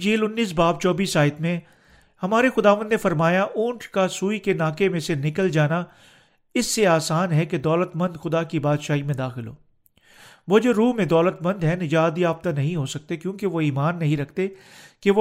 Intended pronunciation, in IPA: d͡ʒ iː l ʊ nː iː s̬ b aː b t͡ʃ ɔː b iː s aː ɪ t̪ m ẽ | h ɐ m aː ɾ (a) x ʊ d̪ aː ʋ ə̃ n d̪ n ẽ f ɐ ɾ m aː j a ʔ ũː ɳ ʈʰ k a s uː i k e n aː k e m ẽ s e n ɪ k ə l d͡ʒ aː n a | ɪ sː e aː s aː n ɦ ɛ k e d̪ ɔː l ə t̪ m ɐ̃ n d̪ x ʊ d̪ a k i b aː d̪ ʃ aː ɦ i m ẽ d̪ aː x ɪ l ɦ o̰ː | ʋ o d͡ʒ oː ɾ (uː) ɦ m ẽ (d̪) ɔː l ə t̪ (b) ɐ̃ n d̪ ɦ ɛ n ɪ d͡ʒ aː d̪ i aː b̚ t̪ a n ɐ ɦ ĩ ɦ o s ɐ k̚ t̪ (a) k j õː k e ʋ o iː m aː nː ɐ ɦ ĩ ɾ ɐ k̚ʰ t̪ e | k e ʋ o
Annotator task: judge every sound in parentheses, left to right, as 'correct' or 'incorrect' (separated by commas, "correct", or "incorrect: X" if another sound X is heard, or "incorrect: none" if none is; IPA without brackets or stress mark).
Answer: incorrect: e, correct, correct, incorrect: m, incorrect: e